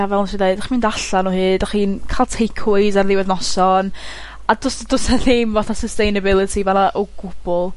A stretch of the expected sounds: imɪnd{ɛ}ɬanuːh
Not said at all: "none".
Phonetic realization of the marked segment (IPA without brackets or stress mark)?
a